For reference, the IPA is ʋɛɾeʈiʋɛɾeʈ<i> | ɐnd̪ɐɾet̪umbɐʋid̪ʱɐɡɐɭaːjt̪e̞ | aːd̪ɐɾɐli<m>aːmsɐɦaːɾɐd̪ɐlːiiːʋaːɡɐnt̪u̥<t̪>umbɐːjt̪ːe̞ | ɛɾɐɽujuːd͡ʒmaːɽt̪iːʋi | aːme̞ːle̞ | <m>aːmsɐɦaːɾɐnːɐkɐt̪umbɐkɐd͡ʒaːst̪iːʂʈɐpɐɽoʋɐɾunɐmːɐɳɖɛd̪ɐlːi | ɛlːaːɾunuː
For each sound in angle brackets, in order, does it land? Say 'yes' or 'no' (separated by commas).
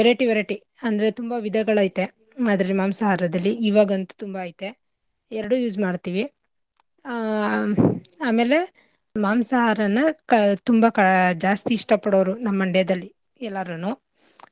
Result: yes, yes, yes, yes